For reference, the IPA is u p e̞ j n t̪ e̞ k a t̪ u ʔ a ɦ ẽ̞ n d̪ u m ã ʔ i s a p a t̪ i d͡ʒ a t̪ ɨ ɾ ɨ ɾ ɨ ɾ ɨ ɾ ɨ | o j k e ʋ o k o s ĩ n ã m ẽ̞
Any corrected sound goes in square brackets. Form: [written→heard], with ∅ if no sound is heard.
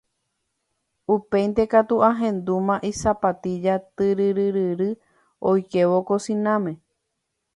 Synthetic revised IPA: u p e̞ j n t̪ e̞ k a t̪ u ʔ a ɦ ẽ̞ n d̪ u m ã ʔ i s a p a t̪ i d͡ʒ a t̪ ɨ ɾ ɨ ɾ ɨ ɾ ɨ ɾ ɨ | o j k e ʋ o k o s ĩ n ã m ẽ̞